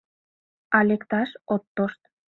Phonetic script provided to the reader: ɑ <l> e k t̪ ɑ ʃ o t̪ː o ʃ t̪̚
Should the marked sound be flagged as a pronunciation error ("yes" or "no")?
no